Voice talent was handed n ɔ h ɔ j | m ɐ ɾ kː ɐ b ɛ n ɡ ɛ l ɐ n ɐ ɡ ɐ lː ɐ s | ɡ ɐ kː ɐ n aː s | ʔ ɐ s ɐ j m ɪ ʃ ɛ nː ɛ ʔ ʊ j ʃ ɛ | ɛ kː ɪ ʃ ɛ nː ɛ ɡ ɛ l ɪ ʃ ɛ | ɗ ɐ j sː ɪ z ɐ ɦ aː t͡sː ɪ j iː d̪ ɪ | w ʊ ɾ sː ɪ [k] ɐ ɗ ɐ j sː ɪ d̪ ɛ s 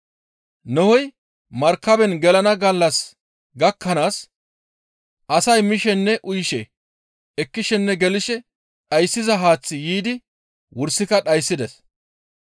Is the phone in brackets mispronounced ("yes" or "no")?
no